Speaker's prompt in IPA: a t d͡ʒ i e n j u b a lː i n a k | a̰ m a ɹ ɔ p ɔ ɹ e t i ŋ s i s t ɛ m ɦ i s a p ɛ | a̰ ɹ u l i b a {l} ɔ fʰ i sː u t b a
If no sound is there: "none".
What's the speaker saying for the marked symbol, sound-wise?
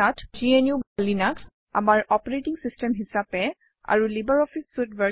ɹ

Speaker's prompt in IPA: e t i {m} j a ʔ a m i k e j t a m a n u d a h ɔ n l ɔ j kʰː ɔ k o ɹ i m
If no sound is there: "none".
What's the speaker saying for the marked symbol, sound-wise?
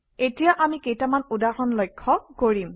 none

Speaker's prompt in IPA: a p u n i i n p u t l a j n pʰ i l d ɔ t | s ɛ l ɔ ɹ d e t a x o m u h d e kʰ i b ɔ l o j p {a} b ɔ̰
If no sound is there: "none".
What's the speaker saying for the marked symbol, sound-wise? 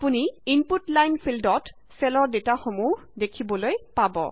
a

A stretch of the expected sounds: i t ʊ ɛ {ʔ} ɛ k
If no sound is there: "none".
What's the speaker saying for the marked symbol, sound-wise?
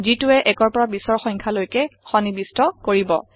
ʔ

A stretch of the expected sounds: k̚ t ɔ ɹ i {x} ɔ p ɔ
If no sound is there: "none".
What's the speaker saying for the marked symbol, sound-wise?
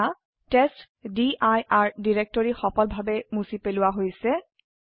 x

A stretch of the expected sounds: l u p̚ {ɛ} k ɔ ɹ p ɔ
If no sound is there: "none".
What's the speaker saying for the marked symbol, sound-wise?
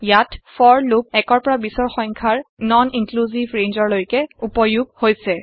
ɛ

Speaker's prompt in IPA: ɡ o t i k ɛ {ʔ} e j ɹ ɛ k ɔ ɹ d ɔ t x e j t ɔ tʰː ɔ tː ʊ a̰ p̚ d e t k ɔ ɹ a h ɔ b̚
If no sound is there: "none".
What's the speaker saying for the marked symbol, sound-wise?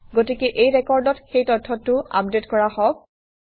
ʔ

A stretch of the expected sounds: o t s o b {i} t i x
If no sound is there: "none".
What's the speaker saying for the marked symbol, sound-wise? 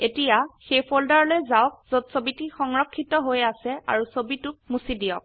i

